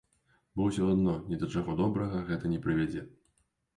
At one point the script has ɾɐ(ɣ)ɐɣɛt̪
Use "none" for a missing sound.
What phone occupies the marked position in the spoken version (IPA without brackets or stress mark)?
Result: ɣ